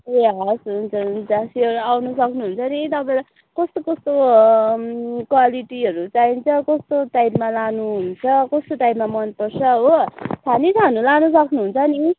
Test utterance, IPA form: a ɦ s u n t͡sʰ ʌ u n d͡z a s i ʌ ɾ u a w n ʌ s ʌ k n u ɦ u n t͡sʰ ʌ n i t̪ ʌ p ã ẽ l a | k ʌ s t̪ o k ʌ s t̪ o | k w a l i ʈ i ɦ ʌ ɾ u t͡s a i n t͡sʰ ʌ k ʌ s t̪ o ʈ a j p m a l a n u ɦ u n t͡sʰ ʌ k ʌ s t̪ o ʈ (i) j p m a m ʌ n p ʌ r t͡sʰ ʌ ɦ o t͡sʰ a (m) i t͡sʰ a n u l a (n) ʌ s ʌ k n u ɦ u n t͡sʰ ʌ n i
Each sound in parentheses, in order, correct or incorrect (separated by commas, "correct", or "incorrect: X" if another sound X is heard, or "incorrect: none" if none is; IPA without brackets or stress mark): incorrect: a, incorrect: n, correct